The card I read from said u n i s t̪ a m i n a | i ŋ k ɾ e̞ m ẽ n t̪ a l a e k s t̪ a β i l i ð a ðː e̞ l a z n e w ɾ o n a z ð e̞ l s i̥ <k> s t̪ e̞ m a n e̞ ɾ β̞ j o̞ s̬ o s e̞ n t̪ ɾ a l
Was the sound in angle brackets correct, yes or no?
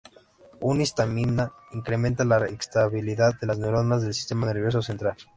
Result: no